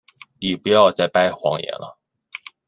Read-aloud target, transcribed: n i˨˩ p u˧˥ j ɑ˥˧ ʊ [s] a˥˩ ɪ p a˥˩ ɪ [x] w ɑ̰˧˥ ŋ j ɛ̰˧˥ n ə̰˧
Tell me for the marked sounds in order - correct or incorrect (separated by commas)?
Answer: incorrect, correct